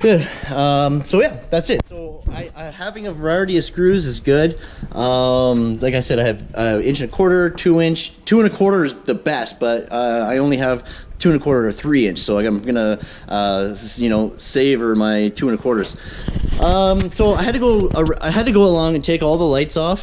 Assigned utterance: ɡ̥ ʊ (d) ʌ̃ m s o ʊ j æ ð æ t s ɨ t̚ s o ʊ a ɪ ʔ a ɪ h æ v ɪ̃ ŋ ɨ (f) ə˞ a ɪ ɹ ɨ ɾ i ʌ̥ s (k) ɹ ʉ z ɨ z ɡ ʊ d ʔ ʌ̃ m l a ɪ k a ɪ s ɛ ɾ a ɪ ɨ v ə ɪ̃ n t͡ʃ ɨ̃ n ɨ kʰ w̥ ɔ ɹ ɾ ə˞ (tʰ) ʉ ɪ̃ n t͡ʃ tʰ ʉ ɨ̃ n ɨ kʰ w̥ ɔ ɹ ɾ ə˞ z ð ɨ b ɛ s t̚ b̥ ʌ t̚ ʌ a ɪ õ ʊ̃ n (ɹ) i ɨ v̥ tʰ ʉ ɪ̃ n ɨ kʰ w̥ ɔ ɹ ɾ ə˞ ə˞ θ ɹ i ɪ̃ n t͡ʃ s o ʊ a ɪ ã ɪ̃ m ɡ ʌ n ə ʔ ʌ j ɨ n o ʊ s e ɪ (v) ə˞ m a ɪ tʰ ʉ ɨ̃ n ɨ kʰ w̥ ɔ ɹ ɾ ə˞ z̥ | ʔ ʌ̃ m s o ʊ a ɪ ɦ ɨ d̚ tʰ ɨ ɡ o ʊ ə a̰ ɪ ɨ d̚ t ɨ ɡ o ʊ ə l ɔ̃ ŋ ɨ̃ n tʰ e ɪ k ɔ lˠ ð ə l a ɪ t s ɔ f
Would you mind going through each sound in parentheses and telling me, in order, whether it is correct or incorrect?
correct, incorrect: v, correct, correct, incorrect: l, correct

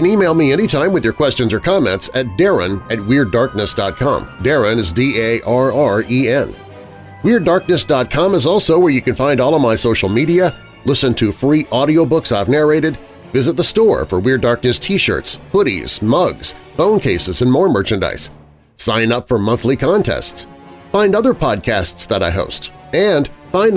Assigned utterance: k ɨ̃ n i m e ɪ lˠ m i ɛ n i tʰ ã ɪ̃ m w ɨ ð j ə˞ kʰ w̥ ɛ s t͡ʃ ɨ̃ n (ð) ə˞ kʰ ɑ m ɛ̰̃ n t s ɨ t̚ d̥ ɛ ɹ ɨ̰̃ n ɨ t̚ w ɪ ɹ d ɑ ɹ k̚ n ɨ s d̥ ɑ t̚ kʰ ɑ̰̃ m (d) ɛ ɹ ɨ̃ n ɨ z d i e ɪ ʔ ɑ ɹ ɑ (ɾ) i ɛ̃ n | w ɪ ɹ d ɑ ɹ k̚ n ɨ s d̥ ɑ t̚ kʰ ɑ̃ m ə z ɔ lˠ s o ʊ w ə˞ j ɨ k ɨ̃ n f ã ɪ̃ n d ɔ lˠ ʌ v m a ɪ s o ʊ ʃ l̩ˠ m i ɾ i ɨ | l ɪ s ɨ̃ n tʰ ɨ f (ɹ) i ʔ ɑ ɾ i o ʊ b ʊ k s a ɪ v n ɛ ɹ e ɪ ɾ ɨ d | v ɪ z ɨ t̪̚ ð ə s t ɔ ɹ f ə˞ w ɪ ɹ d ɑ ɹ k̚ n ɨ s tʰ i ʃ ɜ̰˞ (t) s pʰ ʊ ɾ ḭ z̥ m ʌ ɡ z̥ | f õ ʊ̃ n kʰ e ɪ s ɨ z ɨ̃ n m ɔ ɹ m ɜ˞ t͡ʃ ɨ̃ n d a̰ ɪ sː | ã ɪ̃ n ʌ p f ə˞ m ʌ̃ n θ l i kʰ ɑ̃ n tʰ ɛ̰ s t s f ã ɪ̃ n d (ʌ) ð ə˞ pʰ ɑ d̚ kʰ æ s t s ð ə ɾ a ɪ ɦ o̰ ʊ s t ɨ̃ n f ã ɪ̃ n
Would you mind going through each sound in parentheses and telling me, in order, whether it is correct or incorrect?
incorrect: z, correct, incorrect: ɹ, correct, correct, correct

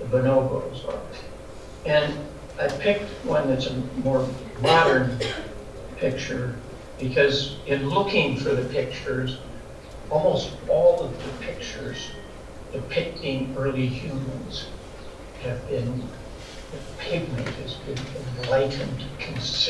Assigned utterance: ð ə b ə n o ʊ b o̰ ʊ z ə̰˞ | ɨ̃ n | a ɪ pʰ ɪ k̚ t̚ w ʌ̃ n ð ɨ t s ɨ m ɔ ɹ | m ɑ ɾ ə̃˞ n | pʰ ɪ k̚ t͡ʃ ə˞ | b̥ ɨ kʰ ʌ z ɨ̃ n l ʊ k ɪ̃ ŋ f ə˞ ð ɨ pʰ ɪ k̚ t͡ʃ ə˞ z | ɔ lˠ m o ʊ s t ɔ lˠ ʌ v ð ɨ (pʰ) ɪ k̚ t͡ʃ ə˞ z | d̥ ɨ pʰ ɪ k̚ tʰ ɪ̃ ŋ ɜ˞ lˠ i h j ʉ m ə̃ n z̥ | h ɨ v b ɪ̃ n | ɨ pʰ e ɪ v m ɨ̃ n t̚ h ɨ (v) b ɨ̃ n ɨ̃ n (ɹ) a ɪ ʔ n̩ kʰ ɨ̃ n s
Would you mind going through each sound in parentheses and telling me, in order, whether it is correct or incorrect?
correct, incorrect: z, incorrect: l

